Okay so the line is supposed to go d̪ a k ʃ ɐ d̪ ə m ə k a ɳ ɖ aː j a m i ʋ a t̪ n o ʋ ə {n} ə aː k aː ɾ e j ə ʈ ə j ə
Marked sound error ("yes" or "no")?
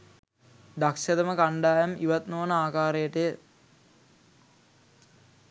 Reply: no